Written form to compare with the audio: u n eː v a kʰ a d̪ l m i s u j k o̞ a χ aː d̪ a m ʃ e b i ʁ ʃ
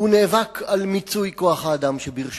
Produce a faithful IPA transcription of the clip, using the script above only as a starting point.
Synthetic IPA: u n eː v a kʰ a l m i t͡s u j k o̞ a χ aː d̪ a m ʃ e b i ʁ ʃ